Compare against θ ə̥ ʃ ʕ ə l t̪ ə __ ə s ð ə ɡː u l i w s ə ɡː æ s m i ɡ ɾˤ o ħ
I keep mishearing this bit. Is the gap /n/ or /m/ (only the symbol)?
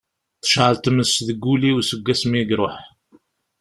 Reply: m